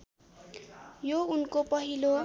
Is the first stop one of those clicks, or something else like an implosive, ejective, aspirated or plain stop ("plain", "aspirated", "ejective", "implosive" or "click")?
plain